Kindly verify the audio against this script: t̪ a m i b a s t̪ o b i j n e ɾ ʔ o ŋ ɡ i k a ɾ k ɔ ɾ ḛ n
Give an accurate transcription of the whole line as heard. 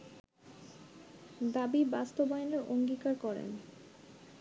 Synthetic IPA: d̪ a b i b a s t̪ o b a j n e ɾ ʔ o ŋ ɡ i k a ɾ k ɔ ɾ ḛ n